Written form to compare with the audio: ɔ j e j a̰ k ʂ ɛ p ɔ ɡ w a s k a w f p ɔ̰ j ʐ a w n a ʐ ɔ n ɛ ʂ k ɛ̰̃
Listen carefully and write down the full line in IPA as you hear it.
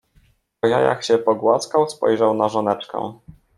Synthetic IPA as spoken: ɔ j a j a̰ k ɕ ɛ p ɔ ɡ w a s k a w s p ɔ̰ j ʐ a w n a ʐ ɔ n ɛ t͡ʂ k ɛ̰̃